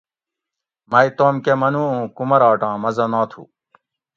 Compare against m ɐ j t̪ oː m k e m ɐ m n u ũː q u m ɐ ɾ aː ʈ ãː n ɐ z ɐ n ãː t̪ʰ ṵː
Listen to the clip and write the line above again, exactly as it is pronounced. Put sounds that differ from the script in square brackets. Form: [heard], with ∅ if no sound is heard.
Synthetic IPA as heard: m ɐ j t̪ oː m k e m ɐ [∅] n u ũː [k] u m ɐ ɾ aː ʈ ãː [m] ɐ z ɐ n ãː t̪ʰ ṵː